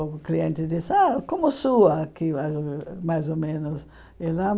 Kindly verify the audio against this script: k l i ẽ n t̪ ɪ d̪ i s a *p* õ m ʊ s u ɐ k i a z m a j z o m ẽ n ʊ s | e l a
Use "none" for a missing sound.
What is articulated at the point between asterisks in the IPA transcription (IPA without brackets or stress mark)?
k